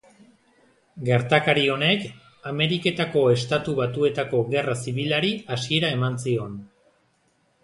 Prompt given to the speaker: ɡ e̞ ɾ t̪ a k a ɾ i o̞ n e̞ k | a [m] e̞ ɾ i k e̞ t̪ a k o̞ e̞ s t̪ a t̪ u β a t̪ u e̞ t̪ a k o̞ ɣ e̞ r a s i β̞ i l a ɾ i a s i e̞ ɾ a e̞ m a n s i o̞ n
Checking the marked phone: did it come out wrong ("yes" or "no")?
no